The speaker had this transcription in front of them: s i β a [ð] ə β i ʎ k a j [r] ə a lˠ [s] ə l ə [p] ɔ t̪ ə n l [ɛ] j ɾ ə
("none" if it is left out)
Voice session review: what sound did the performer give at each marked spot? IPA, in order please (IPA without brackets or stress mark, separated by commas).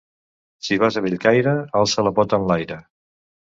z, ɾ, s, p, a